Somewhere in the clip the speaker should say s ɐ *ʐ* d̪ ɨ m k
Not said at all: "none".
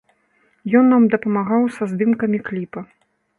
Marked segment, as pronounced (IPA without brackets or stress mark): z